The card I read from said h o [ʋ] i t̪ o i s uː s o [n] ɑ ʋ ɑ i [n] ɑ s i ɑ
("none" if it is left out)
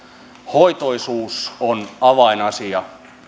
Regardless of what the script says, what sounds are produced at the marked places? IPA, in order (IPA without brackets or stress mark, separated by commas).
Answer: none, n, n